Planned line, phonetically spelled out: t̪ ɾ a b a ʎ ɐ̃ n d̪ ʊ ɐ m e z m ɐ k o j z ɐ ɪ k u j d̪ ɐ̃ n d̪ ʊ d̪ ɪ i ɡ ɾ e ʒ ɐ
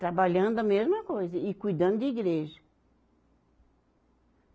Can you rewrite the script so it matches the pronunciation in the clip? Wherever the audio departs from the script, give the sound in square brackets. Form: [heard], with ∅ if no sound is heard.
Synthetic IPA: t̪ ɾ a b a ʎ ɐ̃ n d̪ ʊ ɐ m e z m ɐ k o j z ɐ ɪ k u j d̪ ɐ̃ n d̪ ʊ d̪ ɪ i ɡ ɾ e ʒ ɐ